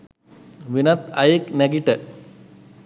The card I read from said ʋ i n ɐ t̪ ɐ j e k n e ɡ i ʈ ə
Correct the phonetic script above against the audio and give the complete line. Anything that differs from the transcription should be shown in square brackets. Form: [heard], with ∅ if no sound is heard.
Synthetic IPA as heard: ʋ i n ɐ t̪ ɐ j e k n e ɡ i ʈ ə